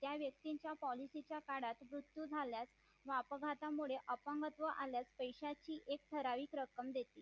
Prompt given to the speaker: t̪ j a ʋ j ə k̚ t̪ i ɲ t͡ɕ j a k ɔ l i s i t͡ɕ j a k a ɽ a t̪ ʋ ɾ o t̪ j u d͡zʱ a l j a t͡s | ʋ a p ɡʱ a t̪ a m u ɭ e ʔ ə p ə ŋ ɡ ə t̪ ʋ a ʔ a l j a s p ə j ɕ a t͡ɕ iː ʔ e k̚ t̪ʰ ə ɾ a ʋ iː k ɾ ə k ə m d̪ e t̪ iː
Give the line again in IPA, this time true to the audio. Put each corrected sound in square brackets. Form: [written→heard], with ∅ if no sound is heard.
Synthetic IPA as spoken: t̪ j a ʋ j ə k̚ t̪ i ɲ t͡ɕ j a [k→p] ɔ l i s i t͡ɕ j a k a ɽ a t̪ ʋ ɾ [o→u] t̪ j u d͡zʱ a l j a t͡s | ʋ a p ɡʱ a t̪ a m u ɭ e ʔ ə p ə ŋ ɡ ə t̪ ʋ [a→ə] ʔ a l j a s p ə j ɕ a t͡ɕ iː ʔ e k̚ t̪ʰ ə ɾ a ʋ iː k ɾ ə k ə m d̪ e t̪ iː